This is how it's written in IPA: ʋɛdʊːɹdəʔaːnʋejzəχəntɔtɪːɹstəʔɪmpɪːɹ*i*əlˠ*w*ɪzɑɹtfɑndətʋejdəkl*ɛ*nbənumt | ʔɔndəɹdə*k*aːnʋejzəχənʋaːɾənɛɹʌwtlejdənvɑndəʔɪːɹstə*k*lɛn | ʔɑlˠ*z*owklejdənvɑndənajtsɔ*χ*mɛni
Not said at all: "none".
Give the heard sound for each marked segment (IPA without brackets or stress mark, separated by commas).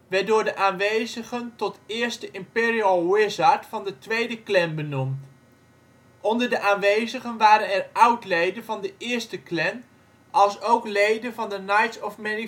i, w, ɛ, ʔ, k, s, f